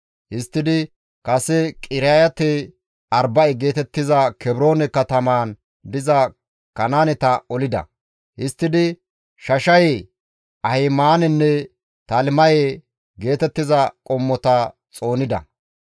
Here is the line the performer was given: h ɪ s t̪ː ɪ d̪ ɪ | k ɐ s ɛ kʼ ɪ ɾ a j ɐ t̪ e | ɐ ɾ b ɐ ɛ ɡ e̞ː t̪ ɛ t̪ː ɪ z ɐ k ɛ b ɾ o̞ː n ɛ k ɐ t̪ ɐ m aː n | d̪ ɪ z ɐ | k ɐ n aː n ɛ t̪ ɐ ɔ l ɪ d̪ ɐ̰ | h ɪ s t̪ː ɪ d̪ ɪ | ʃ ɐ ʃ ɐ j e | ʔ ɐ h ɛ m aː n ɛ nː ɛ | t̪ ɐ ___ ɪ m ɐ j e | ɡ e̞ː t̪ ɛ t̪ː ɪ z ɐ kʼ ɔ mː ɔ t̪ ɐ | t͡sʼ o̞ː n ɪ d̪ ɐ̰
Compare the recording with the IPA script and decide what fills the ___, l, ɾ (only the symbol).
l